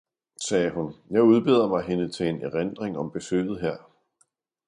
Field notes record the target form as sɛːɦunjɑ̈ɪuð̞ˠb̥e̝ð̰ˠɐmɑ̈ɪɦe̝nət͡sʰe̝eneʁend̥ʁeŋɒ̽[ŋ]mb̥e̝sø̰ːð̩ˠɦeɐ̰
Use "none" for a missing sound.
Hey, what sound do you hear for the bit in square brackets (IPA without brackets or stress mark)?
none